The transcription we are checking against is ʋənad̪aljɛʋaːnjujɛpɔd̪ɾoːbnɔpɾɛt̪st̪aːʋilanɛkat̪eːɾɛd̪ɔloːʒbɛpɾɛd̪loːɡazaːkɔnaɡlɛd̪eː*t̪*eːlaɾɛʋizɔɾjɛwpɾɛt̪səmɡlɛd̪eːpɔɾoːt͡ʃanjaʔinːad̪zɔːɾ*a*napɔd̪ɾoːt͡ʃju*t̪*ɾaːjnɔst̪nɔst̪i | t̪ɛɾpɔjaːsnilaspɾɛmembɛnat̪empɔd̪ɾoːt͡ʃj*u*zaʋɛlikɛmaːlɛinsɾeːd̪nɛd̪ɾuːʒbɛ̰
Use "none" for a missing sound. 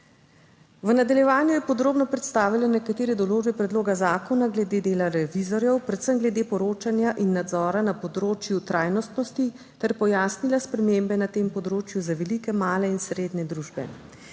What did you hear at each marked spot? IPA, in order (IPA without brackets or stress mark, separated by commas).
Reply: d̪, a, t̪, u